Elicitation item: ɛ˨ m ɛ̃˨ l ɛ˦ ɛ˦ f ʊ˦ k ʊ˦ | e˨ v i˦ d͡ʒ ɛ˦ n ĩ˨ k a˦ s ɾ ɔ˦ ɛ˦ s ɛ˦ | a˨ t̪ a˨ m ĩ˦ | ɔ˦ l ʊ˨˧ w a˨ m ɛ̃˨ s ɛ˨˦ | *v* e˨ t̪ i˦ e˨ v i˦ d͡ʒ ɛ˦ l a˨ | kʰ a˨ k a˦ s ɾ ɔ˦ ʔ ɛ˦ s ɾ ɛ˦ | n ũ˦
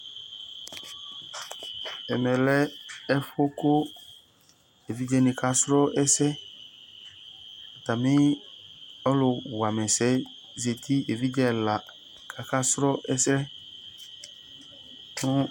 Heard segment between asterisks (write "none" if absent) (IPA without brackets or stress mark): z